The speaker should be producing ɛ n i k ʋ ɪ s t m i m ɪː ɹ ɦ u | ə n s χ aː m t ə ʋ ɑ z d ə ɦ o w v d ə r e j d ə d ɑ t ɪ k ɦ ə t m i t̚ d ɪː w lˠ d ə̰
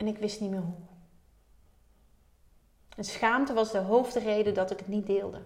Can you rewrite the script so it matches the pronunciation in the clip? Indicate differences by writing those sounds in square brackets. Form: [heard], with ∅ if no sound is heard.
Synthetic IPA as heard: ɛ n [ɪ] k ʋ ɪ s t [n] i m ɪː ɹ ɦ u | ə n s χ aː m t ə ʋ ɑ z d ə ɦ o w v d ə r e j d ə d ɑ t ɪ k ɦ ə t [n] i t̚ d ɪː [∅] lˠ d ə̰